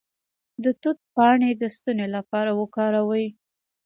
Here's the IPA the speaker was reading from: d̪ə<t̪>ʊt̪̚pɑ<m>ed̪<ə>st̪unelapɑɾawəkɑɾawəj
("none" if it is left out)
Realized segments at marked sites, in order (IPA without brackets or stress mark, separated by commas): t̪, ɳ, ə